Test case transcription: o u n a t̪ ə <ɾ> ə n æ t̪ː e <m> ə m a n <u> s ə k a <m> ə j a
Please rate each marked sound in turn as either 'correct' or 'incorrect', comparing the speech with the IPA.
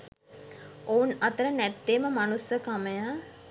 correct, correct, correct, correct

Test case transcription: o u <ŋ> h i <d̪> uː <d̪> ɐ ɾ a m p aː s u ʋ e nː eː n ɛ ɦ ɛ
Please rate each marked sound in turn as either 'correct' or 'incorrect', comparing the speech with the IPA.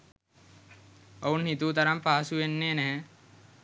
incorrect: n, incorrect: t̪, incorrect: t̪

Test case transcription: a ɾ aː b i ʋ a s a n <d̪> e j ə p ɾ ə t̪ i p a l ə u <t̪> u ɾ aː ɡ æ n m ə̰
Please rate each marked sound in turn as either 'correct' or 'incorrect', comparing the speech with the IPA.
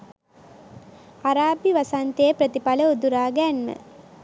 incorrect: t̪, incorrect: d̪

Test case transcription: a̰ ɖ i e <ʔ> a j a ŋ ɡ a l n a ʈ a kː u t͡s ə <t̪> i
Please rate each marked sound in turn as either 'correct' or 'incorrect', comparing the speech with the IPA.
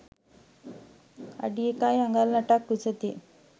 incorrect: k, correct

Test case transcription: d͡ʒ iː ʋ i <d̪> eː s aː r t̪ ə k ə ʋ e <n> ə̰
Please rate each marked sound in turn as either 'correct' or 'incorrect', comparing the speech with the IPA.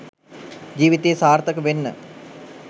incorrect: t̪, incorrect: nː

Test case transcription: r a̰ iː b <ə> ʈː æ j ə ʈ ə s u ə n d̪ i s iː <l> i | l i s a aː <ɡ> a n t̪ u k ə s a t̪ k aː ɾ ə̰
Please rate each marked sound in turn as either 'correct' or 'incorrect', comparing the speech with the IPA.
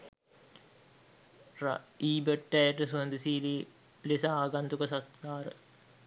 correct, correct, correct

